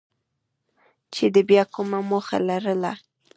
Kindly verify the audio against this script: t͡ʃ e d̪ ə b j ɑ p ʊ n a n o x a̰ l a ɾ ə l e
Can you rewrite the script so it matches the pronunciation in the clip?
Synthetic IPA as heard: t͡ʃ e d̪ ə b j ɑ k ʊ m a m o x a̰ l a ɾ ə l a

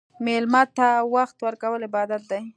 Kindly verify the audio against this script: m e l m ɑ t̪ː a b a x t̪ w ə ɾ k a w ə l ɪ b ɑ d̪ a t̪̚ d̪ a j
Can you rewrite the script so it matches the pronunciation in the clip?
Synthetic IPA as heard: m e l m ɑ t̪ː a w a x t̪ w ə ɾ k a w ə l ɪ b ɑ d̪ a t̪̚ d̪ a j

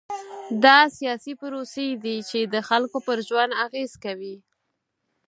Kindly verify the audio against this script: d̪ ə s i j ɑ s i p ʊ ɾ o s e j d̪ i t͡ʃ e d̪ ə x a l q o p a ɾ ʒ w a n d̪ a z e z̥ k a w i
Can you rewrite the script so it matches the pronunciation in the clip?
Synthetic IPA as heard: d̪ ɑ s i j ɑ s i p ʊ ɾ o s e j d̪ i t͡ʃ e d̪ ə x a l k o p ə ɾ ʒ w a n d̪ a ɣ e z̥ k a w i

